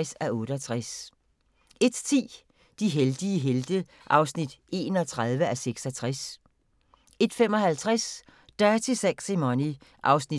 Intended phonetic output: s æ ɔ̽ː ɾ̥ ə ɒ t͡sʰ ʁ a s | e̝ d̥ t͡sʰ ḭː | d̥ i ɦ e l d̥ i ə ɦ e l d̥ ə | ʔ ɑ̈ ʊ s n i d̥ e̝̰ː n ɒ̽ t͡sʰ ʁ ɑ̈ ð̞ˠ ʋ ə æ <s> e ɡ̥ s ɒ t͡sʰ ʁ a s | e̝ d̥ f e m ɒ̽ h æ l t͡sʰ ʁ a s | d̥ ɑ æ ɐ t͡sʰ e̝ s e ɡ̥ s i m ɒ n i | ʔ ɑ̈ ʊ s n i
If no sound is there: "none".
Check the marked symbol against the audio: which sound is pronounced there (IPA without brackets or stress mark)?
s